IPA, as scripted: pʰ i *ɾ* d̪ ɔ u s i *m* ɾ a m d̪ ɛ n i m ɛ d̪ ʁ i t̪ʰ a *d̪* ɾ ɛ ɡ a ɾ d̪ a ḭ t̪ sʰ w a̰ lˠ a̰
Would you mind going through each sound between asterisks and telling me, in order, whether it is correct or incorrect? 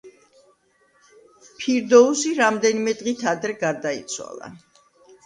correct, incorrect: none, correct

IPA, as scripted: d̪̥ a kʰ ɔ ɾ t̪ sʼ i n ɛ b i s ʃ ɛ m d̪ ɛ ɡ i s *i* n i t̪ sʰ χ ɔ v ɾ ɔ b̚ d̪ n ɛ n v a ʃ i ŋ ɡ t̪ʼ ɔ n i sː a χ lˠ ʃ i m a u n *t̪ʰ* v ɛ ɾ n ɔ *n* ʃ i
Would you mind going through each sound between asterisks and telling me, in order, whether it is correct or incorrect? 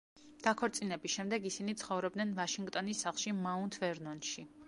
correct, correct, correct

